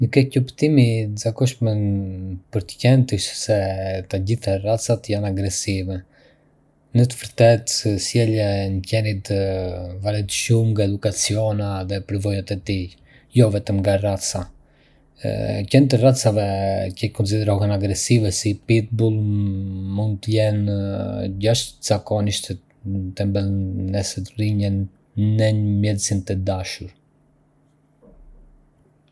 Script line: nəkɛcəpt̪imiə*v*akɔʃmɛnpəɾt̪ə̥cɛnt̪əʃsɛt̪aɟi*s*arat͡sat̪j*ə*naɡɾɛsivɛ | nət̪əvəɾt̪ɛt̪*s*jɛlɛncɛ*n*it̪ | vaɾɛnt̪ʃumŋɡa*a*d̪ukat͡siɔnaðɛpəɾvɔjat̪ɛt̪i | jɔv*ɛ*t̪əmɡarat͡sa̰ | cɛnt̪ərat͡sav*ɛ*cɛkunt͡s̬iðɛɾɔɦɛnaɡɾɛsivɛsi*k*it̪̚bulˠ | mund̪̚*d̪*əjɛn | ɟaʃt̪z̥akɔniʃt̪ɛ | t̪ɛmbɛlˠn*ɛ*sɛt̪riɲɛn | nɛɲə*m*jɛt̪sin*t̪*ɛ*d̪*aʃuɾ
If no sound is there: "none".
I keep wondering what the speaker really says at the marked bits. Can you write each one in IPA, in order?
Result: z, θ, a, s, n, ɛ, ɛ, ɛ, p, t̪, ɛ, m, t̪, d̪

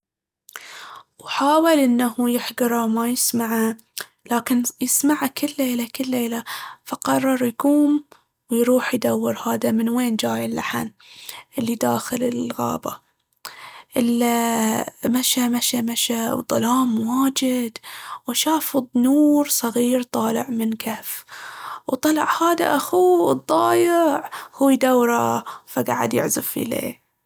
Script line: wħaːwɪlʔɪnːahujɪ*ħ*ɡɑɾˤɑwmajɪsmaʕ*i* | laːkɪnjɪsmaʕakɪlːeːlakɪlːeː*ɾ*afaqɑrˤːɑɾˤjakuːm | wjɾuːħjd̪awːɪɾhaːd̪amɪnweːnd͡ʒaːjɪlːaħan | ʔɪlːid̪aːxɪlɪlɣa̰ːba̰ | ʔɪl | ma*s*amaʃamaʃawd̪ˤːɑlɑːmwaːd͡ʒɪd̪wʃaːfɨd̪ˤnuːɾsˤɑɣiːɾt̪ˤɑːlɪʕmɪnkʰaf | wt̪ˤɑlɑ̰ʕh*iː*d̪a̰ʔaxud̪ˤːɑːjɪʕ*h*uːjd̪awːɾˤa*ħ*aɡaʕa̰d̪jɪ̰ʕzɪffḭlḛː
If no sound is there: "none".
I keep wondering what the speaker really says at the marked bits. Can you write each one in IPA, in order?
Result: ħ, a, l, ʃ, aː, h, f

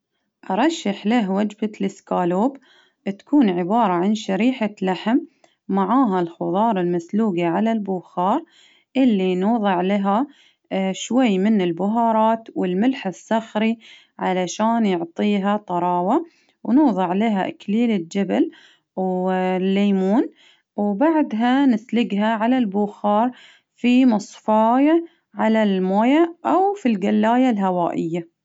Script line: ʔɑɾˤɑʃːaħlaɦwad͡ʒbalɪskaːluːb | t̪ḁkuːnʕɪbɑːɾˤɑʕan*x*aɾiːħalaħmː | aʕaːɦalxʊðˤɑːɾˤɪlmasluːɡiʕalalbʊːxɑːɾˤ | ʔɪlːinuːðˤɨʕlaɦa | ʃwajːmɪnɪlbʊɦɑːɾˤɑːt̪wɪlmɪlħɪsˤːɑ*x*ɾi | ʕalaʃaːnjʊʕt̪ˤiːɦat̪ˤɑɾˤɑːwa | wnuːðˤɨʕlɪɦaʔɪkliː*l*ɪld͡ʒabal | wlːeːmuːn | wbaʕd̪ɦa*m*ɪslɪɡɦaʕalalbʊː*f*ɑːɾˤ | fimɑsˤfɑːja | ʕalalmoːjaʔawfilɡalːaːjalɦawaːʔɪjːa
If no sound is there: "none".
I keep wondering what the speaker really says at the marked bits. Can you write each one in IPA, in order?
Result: ʃ, x, l, n, x

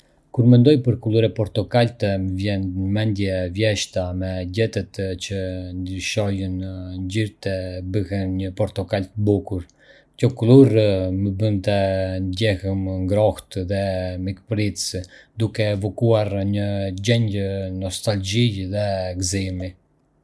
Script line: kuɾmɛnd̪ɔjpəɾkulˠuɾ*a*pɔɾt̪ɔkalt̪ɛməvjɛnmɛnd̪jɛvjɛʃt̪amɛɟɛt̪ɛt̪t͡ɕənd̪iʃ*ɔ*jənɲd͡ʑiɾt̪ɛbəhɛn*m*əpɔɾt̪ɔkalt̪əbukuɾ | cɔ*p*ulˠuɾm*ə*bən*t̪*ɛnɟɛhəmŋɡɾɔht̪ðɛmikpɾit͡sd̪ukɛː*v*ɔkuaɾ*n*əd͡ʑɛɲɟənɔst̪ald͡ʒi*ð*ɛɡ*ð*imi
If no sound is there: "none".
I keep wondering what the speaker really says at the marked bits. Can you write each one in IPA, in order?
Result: ɛ, ɔ, ɲ, k, ə, t̪, v, ɲ, ð, z

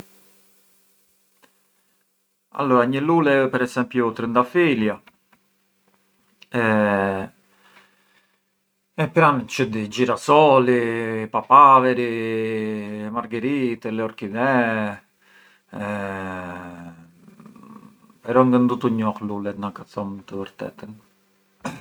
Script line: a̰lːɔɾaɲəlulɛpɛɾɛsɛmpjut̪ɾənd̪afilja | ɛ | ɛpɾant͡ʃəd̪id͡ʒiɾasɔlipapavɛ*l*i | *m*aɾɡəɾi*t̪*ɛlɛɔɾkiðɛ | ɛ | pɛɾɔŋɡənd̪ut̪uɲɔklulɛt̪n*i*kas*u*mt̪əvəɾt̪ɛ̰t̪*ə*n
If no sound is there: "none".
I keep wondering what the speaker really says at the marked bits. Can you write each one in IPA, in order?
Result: ɾ, m, t̪, a, ɔ, ə

